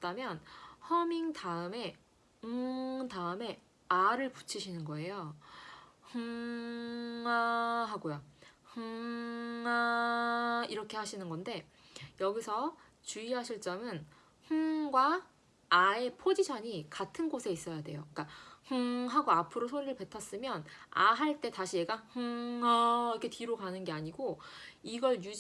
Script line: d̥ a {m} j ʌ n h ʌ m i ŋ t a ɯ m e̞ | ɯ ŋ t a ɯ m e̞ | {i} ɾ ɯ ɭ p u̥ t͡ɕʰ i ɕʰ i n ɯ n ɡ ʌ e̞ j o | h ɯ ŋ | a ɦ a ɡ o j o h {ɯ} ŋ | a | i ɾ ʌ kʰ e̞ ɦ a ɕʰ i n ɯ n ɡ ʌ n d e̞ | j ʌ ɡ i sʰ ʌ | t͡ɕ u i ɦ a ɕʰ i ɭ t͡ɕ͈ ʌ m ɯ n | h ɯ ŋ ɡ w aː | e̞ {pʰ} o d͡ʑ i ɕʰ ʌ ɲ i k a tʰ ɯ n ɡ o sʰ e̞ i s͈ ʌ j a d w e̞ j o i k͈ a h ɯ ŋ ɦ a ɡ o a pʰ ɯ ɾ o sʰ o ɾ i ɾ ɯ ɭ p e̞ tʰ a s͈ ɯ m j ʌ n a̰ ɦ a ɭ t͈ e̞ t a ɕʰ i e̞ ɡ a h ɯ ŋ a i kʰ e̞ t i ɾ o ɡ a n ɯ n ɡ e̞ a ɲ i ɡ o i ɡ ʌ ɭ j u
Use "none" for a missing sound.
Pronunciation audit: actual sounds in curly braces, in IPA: m, a, ɯ, pʰ

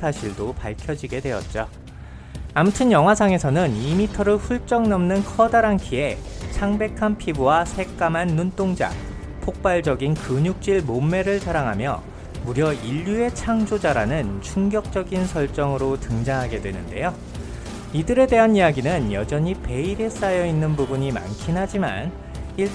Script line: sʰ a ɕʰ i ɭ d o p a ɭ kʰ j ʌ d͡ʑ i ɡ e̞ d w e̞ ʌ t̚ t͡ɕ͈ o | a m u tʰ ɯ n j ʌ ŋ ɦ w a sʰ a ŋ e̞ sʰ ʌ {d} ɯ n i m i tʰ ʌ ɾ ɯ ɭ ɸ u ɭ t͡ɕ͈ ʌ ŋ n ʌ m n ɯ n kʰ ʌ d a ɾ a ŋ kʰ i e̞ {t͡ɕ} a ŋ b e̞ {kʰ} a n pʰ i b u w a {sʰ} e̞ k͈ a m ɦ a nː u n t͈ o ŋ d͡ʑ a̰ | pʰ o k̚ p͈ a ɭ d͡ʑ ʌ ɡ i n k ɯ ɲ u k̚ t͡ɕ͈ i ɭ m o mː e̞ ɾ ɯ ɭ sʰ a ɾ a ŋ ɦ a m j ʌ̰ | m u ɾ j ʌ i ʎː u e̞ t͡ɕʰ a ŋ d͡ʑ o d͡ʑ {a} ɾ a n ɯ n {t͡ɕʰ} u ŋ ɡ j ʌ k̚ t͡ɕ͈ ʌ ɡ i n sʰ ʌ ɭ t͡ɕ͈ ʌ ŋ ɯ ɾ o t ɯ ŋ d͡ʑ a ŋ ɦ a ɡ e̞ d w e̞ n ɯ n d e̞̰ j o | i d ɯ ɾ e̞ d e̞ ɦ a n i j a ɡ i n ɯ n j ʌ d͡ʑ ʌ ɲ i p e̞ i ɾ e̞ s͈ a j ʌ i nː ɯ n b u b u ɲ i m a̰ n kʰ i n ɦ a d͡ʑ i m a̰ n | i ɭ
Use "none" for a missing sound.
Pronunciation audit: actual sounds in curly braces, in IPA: n, t͡ɕʰ, kʰ, sʰ, a, t͡ɕʰ

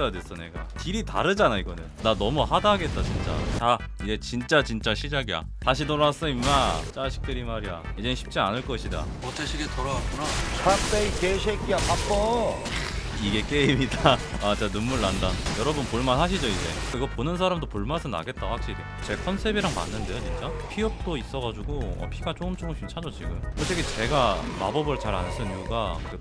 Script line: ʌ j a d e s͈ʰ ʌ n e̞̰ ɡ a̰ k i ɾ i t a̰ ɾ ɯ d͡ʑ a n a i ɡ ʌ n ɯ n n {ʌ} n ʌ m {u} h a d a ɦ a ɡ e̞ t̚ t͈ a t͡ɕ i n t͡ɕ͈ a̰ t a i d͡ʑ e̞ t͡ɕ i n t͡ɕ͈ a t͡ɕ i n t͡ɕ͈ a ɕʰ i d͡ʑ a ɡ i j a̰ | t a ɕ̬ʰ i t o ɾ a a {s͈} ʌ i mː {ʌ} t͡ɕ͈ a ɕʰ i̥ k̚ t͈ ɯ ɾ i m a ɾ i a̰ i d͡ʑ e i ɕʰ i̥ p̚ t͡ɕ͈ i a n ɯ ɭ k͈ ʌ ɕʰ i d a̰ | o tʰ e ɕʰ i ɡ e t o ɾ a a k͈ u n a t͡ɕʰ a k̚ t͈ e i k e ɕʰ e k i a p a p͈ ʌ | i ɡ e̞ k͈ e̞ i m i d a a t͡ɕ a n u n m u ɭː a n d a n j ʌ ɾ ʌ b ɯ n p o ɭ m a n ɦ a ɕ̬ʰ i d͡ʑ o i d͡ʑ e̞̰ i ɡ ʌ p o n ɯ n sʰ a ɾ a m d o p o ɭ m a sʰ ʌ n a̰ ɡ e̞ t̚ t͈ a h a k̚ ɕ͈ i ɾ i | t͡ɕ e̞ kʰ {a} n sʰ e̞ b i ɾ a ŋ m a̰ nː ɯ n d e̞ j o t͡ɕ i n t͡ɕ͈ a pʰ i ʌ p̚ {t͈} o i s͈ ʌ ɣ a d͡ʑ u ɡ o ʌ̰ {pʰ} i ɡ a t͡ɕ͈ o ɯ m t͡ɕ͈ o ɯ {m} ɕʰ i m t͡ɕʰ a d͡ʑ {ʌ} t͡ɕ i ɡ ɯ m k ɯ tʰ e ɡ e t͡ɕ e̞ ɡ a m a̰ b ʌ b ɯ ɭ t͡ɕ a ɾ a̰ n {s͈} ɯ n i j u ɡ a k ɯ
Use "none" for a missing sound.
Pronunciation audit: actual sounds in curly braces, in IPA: a, u, s͈, a, ʌ, t͈, pʰ, m, ʌ, s͈

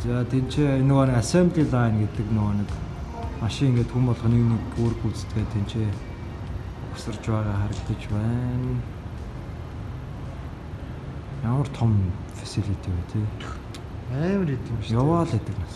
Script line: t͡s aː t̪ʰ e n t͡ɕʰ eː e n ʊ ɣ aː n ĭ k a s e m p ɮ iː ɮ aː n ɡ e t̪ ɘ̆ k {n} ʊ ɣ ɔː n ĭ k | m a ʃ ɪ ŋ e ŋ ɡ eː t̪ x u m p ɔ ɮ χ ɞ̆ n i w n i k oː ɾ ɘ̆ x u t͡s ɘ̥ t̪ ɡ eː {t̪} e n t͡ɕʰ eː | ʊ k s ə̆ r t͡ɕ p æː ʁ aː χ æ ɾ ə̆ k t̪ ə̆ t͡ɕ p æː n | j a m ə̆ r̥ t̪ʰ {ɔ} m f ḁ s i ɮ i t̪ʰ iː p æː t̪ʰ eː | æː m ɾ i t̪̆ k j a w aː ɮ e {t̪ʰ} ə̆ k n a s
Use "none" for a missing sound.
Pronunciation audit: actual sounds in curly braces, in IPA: n, t̪ʰ, ɔ, t̪

